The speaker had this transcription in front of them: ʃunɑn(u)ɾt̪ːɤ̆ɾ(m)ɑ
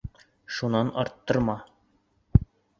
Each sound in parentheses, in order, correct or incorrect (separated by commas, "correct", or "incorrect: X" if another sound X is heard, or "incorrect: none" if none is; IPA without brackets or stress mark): incorrect: ɒ, correct